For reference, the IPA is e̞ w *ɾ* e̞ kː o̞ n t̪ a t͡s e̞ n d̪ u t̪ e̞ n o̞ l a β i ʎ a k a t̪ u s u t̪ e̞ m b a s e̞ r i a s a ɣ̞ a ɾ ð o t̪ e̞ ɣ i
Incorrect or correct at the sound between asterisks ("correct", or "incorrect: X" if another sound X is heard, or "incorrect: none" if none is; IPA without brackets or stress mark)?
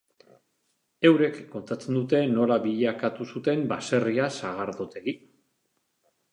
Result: correct